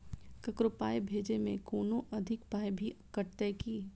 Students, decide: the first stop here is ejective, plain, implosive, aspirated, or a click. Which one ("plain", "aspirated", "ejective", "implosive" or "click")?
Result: plain